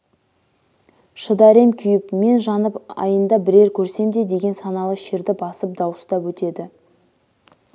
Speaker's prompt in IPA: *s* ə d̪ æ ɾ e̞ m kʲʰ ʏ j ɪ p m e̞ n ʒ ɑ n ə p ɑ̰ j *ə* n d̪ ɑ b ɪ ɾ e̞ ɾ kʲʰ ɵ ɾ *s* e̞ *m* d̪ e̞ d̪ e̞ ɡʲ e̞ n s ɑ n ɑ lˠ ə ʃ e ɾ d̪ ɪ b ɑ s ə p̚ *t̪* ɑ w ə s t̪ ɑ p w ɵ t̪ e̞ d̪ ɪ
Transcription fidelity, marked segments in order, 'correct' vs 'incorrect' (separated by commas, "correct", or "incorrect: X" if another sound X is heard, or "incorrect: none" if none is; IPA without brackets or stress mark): incorrect: ʃ, correct, correct, correct, incorrect: d̪